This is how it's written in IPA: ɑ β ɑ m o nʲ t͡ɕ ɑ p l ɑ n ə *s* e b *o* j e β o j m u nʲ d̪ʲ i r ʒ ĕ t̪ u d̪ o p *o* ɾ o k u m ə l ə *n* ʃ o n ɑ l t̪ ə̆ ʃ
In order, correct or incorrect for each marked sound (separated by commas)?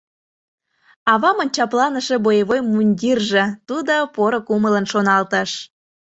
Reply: incorrect, correct, correct, correct